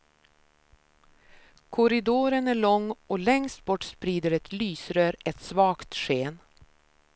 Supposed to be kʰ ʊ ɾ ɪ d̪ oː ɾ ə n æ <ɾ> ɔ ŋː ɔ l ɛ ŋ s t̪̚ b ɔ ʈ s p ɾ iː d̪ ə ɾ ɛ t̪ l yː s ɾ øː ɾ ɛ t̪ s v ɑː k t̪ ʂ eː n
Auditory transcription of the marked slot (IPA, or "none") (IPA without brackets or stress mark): ɭ